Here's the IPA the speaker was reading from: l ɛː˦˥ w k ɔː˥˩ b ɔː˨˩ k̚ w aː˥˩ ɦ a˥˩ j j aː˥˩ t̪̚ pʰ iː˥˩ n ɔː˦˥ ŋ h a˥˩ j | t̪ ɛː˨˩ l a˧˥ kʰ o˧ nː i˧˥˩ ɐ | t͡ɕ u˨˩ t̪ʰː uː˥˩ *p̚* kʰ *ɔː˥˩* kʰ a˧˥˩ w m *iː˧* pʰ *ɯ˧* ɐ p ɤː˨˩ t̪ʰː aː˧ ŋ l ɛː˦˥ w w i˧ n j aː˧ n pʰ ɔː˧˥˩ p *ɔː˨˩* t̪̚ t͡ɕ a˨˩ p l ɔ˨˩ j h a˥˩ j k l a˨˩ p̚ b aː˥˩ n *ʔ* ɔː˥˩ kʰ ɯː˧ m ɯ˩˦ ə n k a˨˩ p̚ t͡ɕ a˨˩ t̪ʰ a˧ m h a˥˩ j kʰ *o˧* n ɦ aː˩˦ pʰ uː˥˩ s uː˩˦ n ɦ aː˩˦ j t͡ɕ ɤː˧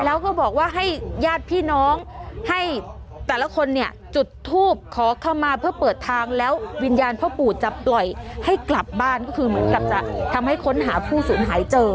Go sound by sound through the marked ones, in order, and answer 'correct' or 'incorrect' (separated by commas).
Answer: correct, incorrect, incorrect, incorrect, incorrect, incorrect, incorrect